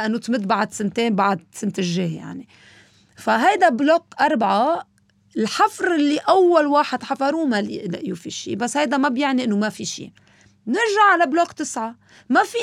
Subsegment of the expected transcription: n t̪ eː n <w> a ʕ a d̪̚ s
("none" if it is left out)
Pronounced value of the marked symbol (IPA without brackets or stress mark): b